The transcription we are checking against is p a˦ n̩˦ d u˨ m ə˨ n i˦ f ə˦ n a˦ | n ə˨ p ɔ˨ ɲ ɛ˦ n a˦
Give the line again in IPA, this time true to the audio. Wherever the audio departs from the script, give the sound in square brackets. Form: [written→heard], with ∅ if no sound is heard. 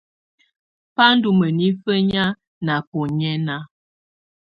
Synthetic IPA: p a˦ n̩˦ d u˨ m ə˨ n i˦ f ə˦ [n→ɲ] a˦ | n [ə˨→a˨] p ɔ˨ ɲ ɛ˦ n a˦